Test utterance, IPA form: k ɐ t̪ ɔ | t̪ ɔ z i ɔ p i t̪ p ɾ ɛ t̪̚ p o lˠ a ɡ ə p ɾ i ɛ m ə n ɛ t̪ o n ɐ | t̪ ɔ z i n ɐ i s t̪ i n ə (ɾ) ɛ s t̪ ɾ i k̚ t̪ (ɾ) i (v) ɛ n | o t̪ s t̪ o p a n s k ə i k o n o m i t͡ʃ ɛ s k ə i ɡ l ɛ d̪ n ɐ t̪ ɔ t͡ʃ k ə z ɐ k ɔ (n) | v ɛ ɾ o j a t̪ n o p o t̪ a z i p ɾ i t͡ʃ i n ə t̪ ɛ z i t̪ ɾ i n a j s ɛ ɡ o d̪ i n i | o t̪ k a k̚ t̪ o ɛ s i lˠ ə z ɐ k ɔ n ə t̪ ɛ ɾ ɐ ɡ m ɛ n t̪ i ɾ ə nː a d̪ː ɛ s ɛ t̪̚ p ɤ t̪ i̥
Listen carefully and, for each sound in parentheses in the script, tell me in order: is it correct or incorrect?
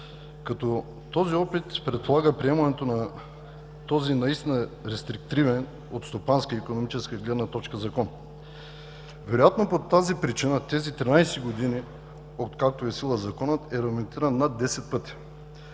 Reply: correct, correct, correct, correct

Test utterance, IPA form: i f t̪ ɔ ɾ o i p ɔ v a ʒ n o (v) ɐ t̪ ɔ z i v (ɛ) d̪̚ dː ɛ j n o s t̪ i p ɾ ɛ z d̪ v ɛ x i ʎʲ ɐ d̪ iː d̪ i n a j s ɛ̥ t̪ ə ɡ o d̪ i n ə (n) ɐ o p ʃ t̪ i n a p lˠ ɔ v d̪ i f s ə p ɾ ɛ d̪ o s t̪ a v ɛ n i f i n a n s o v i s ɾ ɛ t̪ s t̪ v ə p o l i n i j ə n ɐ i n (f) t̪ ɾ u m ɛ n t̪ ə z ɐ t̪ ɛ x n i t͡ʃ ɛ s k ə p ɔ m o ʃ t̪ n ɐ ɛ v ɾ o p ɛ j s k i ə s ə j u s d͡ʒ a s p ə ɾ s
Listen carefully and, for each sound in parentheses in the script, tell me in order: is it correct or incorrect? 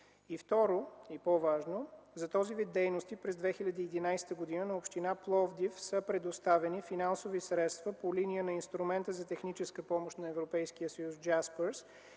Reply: incorrect, incorrect, correct, incorrect

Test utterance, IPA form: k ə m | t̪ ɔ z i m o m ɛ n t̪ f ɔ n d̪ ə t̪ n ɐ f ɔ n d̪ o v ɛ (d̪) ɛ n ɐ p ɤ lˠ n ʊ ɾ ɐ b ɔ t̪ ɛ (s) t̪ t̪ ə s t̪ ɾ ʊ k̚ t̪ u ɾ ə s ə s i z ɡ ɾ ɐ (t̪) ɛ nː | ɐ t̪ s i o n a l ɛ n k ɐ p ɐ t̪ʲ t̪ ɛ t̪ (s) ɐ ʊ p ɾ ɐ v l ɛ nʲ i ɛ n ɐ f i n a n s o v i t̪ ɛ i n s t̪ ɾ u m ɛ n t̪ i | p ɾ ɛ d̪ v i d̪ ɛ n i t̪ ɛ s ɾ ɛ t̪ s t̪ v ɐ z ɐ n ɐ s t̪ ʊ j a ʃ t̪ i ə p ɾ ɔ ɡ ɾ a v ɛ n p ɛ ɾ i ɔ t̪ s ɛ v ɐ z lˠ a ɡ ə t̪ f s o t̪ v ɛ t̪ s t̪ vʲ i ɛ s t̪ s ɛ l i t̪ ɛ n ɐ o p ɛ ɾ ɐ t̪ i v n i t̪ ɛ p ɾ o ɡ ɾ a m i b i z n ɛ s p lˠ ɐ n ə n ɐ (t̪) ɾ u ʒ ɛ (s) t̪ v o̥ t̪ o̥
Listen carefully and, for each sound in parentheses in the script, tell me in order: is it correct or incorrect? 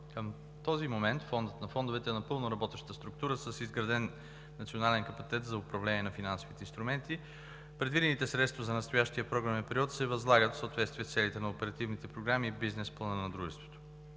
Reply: incorrect, incorrect, incorrect, incorrect, incorrect, correct

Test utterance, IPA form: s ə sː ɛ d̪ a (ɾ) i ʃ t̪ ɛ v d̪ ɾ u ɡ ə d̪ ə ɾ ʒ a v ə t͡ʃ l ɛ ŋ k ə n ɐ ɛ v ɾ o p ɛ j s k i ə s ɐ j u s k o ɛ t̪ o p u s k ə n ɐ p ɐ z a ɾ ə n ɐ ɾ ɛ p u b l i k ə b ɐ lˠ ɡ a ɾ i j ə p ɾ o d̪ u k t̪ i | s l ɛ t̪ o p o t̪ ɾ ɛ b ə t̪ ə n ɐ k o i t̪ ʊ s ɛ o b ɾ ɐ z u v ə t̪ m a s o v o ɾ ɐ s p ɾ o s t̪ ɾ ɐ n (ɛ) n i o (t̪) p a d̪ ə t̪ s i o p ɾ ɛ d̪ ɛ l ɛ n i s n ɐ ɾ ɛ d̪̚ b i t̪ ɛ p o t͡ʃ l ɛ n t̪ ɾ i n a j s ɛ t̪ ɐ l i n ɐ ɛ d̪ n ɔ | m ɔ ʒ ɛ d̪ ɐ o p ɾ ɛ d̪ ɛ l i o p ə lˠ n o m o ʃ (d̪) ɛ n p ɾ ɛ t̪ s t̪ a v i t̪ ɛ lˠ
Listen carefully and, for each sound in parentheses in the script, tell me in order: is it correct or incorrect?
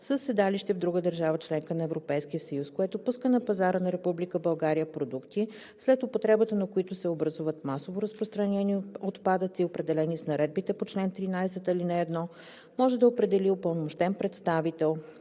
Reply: incorrect, correct, correct, incorrect

